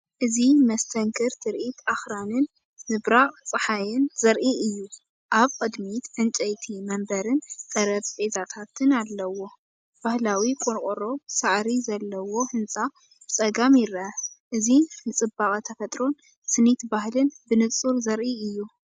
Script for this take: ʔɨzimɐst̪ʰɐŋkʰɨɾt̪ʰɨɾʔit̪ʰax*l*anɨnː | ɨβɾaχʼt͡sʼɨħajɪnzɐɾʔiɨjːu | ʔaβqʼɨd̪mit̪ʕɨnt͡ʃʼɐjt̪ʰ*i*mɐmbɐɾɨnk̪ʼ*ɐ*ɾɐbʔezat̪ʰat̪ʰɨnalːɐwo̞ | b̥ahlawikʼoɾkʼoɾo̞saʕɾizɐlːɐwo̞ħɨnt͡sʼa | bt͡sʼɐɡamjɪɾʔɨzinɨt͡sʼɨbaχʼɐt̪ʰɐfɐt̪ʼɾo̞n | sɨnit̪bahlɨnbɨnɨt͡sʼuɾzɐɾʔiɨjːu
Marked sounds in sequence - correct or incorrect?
incorrect: ɾ, correct, correct

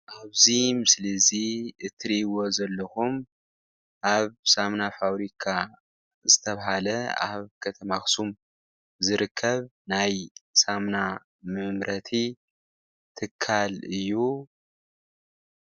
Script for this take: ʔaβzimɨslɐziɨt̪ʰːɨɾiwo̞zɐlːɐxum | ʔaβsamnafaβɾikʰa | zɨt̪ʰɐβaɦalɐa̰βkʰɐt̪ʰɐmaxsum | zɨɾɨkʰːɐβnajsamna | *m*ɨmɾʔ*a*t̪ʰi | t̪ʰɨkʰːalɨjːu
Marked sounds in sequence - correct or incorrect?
correct, incorrect: ɐ

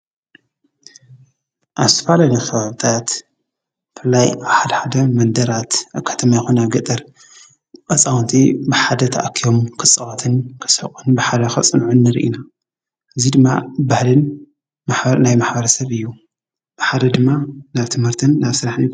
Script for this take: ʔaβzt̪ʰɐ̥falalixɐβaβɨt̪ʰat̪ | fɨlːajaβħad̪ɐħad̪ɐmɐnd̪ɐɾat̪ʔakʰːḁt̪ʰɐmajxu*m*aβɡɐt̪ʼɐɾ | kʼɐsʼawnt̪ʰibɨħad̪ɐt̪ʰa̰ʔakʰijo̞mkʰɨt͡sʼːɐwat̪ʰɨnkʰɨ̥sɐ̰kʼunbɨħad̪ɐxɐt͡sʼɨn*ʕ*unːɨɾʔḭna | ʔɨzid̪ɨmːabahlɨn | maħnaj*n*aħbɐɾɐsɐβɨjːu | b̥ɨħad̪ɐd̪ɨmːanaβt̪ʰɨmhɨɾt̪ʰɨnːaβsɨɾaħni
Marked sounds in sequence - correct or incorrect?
incorrect: n, correct, incorrect: m

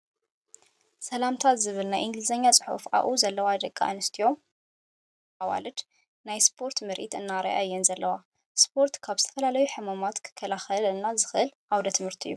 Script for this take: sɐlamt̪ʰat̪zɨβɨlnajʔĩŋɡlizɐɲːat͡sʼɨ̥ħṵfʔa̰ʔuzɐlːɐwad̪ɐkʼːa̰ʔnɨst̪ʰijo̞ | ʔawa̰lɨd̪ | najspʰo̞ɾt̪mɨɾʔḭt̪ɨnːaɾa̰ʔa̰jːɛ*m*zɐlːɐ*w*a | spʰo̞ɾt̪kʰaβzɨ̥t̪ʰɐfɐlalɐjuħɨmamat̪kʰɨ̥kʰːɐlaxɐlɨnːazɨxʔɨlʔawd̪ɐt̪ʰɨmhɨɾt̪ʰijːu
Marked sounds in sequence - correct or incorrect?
incorrect: n, correct

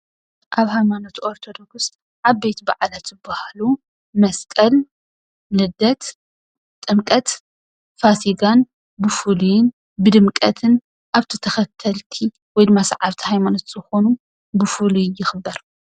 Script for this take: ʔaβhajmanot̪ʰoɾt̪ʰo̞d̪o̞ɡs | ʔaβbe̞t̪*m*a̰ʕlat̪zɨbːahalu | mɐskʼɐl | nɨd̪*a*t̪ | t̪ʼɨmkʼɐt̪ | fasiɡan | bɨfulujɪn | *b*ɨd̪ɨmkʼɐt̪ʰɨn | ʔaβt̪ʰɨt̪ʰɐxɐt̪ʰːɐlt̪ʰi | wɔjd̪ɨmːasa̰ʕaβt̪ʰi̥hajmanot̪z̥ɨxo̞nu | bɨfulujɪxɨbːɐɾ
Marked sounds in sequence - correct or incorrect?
incorrect: b, incorrect: ɐ, correct

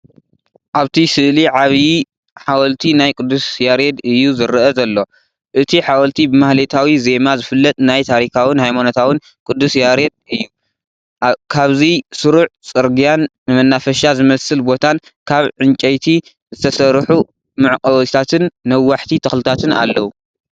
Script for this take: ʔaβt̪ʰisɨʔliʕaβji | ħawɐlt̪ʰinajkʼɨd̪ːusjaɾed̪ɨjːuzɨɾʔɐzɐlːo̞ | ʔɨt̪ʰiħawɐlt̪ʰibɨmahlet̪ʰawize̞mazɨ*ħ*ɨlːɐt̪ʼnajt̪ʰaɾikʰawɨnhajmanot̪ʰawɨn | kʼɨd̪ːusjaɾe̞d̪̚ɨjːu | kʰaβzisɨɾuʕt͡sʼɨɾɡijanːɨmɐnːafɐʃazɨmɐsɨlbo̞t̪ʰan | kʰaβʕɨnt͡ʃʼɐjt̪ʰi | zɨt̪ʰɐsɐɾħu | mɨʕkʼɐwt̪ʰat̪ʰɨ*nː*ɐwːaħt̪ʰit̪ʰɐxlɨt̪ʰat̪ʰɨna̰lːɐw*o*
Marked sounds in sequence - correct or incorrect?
incorrect: f, correct, incorrect: u

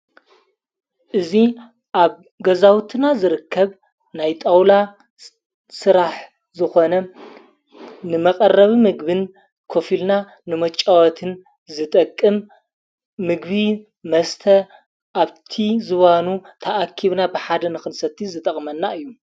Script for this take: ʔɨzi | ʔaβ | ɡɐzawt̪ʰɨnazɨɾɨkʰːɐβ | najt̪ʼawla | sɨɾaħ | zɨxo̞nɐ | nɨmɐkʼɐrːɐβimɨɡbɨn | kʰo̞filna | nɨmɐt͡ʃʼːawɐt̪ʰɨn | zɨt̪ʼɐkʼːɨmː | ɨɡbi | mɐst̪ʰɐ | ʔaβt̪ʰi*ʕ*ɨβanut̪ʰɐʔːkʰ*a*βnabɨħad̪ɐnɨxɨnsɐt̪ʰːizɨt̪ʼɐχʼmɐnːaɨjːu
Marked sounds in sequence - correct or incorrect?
incorrect: z, incorrect: i

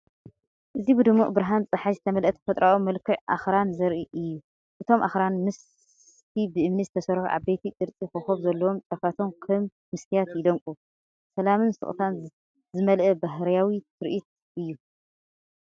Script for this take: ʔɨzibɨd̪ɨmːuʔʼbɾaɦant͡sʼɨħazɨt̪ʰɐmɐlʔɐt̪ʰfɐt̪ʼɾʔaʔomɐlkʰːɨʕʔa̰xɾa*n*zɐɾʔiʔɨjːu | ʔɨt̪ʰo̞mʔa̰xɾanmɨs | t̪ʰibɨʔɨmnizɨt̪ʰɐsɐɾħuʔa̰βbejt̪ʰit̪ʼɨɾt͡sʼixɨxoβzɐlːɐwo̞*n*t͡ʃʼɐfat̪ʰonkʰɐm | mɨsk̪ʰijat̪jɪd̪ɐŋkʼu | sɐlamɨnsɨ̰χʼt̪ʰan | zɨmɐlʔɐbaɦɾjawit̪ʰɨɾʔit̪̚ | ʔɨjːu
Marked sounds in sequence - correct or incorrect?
correct, incorrect: m

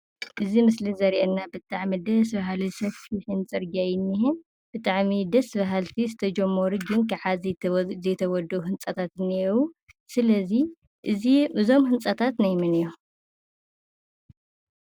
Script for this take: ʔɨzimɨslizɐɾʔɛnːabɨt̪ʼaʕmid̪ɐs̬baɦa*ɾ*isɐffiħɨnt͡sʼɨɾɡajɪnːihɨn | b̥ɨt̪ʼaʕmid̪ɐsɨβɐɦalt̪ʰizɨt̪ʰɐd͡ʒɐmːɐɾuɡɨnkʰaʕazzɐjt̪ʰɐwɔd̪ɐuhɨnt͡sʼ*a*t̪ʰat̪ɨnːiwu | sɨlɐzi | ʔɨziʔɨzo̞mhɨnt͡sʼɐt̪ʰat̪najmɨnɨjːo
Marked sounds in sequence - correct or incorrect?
incorrect: l, incorrect: ɐ

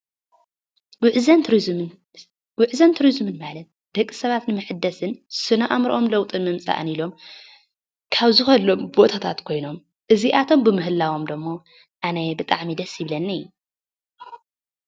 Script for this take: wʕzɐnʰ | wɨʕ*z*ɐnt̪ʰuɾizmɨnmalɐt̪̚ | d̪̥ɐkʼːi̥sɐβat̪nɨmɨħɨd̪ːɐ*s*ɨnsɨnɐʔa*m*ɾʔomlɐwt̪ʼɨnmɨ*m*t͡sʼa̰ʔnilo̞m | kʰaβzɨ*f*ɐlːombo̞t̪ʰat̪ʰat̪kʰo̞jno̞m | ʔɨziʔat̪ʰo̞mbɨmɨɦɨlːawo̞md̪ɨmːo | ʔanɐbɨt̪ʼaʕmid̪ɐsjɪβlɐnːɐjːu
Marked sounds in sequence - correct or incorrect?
correct, correct, correct, correct, incorrect: x

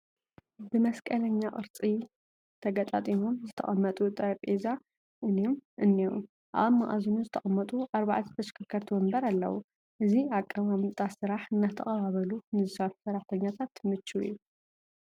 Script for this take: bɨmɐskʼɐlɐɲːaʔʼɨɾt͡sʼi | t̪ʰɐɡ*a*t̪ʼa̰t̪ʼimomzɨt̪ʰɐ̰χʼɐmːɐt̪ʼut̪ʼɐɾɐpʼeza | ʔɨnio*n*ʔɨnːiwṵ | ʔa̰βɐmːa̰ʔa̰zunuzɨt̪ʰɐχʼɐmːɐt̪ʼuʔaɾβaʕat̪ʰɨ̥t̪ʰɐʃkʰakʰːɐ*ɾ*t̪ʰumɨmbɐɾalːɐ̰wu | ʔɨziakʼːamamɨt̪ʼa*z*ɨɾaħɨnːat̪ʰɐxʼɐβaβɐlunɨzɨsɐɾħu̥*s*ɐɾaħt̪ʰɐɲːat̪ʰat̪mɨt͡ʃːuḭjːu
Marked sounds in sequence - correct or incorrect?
incorrect: ɐ, incorrect: m, correct, incorrect: s, correct

